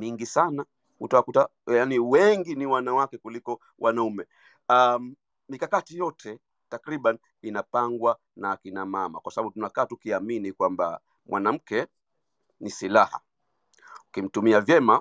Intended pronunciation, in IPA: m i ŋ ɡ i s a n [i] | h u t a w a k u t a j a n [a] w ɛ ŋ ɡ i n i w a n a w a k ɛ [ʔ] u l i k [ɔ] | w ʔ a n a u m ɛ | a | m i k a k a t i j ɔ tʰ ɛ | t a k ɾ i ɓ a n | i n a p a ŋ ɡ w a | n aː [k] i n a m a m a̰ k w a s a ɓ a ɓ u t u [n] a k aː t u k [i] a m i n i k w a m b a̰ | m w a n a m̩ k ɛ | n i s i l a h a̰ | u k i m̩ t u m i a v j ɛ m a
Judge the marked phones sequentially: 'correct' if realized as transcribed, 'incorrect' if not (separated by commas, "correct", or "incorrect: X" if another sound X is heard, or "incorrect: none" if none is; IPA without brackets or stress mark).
incorrect: a, incorrect: i, incorrect: k, correct, correct, correct, correct